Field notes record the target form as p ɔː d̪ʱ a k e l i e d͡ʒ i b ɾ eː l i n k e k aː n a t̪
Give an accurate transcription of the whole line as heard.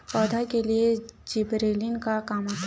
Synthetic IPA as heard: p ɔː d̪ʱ a k e l i e d͡ʒ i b ɾ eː l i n k a k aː m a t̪